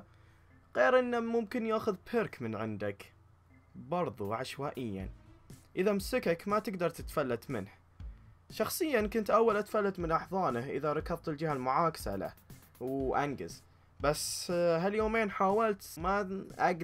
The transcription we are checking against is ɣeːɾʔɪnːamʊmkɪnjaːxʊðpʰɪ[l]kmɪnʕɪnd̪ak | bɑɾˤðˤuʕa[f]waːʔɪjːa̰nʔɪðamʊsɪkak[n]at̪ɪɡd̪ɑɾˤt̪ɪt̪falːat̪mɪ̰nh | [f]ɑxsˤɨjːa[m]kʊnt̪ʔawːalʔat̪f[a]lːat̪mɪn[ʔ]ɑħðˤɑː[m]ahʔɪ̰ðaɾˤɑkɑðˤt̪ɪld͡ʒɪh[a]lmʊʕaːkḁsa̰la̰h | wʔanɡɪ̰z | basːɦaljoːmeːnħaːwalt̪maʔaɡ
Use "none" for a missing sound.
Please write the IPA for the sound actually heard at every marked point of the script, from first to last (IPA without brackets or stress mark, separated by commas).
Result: ɾ, ʃ, m, ʃ, n, a, ʔ, n, a